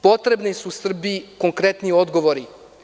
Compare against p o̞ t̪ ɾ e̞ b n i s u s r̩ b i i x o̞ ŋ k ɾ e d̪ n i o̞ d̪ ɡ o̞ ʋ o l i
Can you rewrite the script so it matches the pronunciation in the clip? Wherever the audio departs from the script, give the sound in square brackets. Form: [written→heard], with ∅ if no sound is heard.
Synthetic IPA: p o̞ t̪ ɾ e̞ b n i s u s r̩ b i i [x→k] o̞ ŋ k ɾ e [d̪→t̪] n i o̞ d̪ ɡ o̞ ʋ o [l→ɾ] i